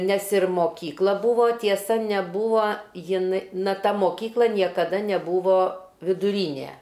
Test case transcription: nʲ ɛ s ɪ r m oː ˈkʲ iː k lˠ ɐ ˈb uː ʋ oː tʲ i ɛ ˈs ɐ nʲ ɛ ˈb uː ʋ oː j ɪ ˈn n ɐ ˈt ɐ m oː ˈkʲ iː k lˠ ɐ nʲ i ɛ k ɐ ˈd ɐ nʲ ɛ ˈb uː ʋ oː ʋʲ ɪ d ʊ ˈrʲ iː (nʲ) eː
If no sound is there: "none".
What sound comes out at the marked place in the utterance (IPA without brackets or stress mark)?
nʲ